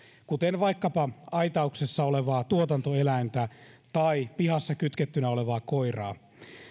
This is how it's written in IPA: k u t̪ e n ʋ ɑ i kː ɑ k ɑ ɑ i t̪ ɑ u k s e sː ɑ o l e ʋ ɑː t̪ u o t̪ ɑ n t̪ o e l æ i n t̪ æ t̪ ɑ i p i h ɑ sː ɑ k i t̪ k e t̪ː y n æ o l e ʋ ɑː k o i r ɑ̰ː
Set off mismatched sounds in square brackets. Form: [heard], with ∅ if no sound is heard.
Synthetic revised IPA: k u t̪ e n ʋ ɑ i kː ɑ [p] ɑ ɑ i t̪ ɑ u k s e sː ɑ o l e ʋ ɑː t̪ u o t̪ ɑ n t̪ o e l æ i n t̪ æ t̪ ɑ i p i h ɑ sː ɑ k [y] t̪ k e t̪ː y n æ o l e ʋ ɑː k o i r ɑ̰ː